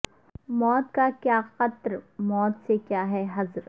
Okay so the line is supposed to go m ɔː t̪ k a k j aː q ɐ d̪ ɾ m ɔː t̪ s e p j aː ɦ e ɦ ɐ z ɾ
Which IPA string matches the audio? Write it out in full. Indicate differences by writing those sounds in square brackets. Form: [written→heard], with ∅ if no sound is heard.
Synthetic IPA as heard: m ɔː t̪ k a k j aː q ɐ [d̪→t̪] ɾ m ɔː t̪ s e [p→k] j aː ɦ [e→ɛ] ɦ ɐ z ɾ